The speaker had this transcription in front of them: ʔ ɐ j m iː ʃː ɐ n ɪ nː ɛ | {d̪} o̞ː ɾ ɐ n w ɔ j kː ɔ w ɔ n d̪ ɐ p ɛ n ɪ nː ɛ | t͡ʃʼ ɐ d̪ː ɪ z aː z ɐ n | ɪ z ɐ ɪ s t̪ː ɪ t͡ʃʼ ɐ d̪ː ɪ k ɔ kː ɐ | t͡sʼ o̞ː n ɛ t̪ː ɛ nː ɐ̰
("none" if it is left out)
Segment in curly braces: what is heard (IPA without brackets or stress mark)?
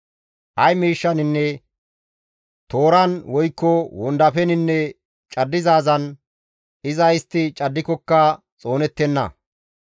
t̪